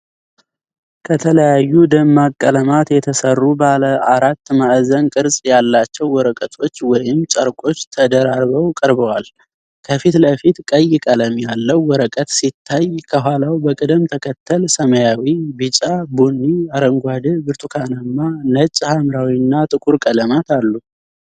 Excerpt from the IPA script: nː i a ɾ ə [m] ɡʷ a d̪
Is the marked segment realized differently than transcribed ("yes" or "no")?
yes